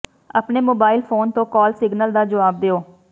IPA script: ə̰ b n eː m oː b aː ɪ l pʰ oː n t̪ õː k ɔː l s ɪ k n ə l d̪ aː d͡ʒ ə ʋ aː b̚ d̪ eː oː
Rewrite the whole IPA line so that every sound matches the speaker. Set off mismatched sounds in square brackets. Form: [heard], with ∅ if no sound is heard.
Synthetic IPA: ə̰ [p] n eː m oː b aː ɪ l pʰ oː n t̪ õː k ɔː l s ɪ [ɡ] n ə l d̪ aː d͡ʒ ə ʋ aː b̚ d̪ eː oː